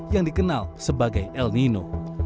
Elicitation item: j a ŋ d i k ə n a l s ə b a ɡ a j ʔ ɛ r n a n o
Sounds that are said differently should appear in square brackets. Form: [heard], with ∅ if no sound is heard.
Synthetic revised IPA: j a ŋ d i k ə n a l s ə b a ɡ a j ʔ ɛ [l] n [i] n o